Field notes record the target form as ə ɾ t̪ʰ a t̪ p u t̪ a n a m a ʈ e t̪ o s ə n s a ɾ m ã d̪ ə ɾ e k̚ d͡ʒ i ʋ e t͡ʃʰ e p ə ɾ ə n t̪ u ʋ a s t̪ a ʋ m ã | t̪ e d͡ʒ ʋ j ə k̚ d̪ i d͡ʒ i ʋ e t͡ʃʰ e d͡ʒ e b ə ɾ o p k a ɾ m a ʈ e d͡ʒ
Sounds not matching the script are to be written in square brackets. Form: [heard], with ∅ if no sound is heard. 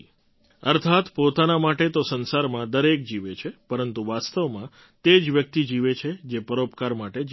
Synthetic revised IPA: ə ɾ t̪ʰ a t̪ p [o] t̪ a n a m a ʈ e t̪ o s ə n s a ɾ m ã d̪ ə ɾ e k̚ d͡ʒ i ʋ e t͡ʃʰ e p ə ɾ ə n t̪ u ʋ a s t̪ [ə] ʋ m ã | t̪ e d͡ʒ ʋ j ə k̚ [t̪] i d͡ʒ i ʋ e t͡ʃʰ e d͡ʒ e [p] ə ɾ o p k a ɾ m a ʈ e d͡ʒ